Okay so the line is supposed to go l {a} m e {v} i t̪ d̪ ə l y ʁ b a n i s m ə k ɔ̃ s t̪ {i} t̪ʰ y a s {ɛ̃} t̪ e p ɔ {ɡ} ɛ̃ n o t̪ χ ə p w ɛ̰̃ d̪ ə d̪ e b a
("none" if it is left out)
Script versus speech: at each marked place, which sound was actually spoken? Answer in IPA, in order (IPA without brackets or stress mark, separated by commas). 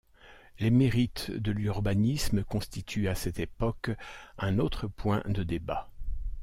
e, ʁ, i, ɛ, k